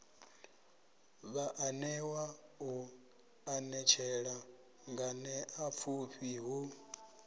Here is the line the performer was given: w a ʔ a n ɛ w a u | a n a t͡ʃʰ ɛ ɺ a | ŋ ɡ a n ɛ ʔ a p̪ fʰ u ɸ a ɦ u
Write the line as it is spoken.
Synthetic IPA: β a ʔ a n ɛ w a u | a n ɛ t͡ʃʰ ɛ ɺ a | ŋ ɡ a n ɛ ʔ a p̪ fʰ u ɸ i ɦ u